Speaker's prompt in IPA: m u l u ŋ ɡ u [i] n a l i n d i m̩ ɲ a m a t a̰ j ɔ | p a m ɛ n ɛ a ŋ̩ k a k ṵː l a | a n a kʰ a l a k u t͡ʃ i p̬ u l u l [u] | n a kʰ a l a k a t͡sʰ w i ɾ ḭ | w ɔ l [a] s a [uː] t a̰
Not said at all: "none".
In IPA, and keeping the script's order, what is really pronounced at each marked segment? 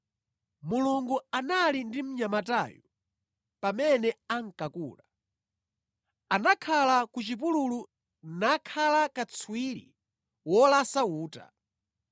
a, u, a, uː

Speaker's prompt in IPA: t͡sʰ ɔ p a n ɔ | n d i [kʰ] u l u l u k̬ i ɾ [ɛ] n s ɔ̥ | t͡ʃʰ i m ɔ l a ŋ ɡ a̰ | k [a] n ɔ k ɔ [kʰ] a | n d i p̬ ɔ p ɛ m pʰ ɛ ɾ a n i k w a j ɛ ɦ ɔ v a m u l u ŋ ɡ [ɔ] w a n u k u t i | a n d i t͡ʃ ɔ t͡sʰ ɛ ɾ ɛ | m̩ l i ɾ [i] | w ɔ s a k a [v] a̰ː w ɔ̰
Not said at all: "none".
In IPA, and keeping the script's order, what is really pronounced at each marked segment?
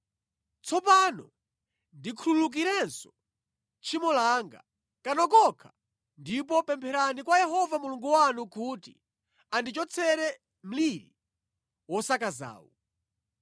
kʰ, ɛ, a, kʰ, u, i, z

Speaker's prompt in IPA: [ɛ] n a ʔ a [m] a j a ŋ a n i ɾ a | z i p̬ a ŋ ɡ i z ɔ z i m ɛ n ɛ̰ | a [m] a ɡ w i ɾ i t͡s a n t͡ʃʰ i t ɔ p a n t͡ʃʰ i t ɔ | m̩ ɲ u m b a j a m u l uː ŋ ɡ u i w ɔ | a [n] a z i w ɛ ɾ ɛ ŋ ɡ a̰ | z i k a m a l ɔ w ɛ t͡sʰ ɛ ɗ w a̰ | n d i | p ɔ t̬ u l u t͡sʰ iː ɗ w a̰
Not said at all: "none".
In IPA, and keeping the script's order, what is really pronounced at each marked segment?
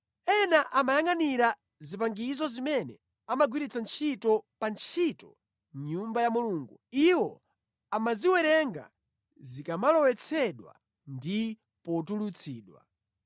ɛ, m, m, m

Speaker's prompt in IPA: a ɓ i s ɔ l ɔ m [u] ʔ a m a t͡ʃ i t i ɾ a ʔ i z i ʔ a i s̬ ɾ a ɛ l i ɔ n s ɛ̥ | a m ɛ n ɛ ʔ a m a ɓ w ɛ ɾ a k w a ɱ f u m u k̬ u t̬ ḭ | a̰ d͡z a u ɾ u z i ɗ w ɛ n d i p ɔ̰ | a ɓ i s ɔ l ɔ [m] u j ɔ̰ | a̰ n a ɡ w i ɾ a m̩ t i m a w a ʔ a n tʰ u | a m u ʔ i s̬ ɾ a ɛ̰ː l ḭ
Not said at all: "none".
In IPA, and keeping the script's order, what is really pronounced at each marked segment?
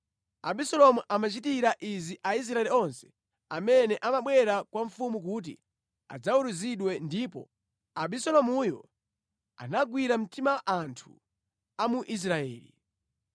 u, m

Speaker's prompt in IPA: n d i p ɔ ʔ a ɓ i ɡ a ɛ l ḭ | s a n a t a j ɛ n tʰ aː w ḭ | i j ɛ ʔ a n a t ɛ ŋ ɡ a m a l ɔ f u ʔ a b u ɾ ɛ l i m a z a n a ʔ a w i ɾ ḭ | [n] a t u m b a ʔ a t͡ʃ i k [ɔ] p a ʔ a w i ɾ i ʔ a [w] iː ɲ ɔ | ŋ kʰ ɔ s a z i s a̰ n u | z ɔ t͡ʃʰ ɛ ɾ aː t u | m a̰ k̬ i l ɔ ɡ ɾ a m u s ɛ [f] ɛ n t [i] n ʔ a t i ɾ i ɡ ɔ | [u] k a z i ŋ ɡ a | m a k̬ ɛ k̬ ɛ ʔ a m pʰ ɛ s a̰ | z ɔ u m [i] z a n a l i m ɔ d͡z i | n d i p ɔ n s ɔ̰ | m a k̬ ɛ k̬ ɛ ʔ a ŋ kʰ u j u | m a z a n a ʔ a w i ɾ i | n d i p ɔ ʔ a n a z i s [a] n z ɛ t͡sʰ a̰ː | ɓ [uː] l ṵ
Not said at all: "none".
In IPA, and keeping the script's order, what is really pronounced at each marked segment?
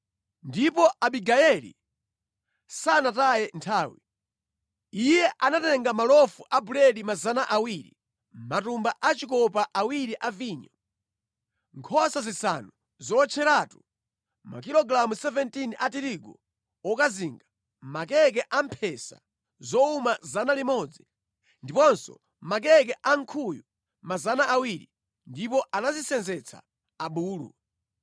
m, ɔ, v, v, i, ɔ, a, ɛ, uː

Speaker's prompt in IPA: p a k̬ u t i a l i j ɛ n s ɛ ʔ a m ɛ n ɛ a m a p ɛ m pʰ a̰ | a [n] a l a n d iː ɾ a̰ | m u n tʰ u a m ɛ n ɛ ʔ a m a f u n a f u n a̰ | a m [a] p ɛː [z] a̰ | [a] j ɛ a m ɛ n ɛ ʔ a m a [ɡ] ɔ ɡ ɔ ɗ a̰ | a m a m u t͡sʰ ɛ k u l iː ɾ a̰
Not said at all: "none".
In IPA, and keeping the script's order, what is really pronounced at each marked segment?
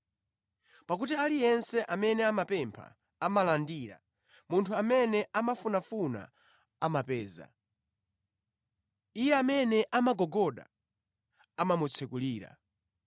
m, a, z, i, ɡ

